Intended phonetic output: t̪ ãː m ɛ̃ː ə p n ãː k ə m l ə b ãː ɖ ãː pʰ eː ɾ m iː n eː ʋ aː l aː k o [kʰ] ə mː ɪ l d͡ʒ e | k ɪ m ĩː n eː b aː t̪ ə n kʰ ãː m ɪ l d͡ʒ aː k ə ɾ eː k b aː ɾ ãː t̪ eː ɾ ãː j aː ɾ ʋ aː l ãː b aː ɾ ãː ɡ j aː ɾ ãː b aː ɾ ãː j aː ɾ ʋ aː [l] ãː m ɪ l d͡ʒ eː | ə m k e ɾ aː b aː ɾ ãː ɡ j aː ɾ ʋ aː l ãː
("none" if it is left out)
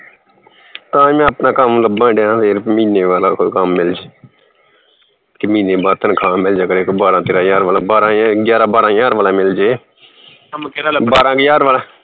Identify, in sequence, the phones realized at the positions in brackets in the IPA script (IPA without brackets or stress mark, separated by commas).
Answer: k, l